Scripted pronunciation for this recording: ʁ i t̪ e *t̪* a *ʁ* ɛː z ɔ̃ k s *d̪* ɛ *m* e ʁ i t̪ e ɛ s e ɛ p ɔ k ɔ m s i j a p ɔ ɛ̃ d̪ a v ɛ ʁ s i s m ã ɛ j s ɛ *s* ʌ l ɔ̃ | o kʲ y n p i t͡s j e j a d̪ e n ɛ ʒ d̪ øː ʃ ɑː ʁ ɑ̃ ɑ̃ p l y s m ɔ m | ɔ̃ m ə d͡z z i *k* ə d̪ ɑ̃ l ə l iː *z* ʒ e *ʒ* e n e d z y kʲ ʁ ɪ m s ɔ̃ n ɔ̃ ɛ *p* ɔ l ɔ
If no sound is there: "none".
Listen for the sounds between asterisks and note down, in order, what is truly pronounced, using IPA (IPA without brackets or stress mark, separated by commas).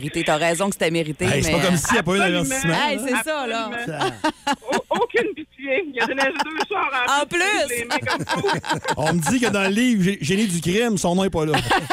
t̪, ʁ, t̪, m, s, k, v, ʒ, p